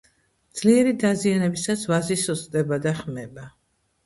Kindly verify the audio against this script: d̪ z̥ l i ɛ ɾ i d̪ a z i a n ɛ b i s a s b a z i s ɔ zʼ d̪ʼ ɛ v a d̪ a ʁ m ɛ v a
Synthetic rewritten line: d̪ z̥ l i ɛ ɾ i d̪ a z i a n ɛ b i s a s v a z i s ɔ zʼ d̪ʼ ɛ b a d̪ a χ m ɛ b a